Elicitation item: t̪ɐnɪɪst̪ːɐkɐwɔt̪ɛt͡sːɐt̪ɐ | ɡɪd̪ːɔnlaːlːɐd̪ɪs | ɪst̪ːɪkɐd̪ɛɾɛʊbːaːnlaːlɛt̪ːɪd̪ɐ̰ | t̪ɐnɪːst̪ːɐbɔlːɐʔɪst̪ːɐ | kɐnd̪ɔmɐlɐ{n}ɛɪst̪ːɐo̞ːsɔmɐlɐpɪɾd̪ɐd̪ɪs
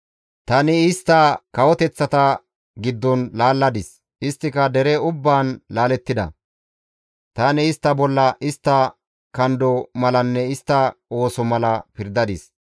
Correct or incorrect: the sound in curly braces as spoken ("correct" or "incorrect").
incorrect